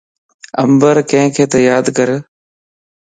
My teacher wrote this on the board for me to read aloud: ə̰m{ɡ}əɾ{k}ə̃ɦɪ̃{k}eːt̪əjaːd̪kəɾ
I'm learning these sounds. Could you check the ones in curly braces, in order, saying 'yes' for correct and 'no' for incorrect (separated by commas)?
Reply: no, yes, no